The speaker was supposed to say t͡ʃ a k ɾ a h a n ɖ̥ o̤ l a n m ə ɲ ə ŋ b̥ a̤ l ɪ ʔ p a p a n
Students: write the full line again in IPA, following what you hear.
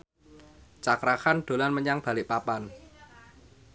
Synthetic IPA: t͡ʃ a k ɾ a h a n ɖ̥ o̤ l a n m ə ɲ a ŋ b̥ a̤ l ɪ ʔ p a p a n